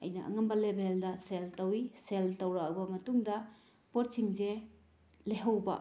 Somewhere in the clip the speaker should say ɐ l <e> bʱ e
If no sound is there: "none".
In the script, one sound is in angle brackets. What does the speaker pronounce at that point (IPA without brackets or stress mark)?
e